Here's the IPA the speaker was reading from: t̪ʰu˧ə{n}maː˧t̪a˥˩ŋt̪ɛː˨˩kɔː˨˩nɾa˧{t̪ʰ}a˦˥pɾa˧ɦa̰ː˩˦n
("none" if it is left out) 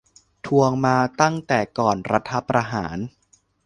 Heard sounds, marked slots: ŋ, t̪ʰ

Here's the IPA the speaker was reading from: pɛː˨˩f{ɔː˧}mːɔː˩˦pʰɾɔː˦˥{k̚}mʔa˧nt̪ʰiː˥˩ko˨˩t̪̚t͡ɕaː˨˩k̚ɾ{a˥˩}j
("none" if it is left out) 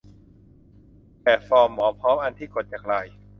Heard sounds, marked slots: ɔː˧, none, a˧˩

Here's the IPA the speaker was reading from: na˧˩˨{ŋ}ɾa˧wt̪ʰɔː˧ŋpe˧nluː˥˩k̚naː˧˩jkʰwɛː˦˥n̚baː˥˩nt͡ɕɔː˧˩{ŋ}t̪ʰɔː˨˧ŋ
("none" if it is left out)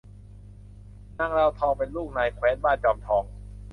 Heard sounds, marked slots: ŋ, m

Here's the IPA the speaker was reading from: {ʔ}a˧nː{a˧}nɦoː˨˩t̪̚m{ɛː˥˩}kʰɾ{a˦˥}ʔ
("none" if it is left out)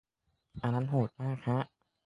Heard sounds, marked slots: ʔ, a˦˥, aː˥˩, a˦˥

